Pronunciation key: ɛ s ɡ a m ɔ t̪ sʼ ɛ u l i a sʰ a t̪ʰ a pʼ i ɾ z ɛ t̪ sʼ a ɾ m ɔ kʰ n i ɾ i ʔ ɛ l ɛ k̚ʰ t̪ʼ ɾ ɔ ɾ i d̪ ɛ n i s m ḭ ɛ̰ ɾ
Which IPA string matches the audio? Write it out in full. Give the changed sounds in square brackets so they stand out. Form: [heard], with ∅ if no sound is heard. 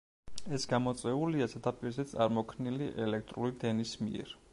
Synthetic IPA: ɛ s ɡ a m ɔ t̪ sʼ ɛ u l i a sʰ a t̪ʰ a pʼ i ɾ z ɛ t̪ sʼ a ɾ m ɔ kʰ n i [l] i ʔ ɛ l ɛ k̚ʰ t̪ʼ ɾ [u] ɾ i d̪ ɛ n i s m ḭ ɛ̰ ɾ